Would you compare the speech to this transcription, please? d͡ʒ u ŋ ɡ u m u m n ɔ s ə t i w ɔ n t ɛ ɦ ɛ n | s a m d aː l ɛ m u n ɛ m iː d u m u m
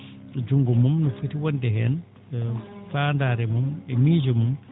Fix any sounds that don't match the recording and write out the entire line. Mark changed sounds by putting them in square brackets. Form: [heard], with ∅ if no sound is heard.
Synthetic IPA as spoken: d͡ʒ u ŋ ɡ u m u m n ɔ [f] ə t i w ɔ n [d] ɛ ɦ ɛ n | [f] a [n] d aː [ɾ] ɛ m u [m] ɛ m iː [d͡ʒ] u m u m